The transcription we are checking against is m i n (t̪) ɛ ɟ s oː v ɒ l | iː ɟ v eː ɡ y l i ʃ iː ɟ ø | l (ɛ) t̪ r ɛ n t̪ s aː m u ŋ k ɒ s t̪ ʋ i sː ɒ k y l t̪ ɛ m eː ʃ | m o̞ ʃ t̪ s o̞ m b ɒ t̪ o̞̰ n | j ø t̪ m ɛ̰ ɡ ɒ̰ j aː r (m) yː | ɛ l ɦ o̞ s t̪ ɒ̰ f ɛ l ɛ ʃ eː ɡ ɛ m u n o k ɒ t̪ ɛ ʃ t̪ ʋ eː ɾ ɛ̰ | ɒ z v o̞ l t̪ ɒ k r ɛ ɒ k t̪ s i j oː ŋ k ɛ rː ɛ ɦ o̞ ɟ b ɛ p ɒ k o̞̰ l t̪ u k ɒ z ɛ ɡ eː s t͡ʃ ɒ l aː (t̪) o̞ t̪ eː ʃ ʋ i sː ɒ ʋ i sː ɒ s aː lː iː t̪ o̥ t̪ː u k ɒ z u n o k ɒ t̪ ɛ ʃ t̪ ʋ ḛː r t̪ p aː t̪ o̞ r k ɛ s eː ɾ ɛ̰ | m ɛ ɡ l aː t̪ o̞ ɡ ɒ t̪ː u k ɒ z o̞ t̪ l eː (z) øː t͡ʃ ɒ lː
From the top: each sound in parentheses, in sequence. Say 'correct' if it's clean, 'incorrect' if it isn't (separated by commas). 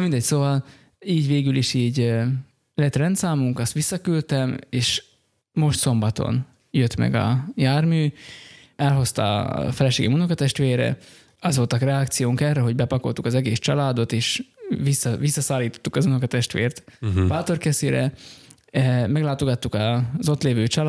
incorrect, correct, correct, incorrect, incorrect